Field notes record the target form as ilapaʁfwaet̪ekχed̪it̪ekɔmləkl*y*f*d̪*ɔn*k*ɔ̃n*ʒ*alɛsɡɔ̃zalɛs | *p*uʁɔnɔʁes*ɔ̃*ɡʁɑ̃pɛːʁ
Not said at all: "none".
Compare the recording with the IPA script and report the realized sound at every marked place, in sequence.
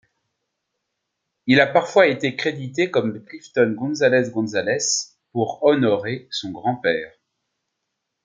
i, t̪, ɡ, z, p, ɔ̃

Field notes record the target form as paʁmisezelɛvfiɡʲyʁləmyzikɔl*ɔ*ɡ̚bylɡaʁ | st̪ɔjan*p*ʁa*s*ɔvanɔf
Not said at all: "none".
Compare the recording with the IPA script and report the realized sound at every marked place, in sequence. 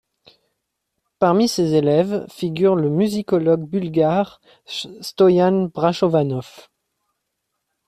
ɔ, b, ʃ

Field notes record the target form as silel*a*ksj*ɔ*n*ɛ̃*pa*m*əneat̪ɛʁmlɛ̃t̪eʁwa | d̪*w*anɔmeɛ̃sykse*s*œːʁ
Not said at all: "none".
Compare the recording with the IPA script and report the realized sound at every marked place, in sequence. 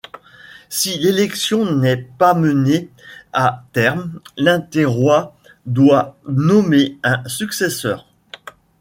ɛ, ɔ̃, ɛ, m, w, s

